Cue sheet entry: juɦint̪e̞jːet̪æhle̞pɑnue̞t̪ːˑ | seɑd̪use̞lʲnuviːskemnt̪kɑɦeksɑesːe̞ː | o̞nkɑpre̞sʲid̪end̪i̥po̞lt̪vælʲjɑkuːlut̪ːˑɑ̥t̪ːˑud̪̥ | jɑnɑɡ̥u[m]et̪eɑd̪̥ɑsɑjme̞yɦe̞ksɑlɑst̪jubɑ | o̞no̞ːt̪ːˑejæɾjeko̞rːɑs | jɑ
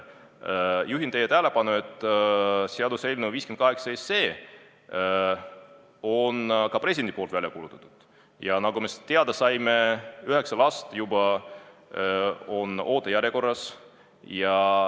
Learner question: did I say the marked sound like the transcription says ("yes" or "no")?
yes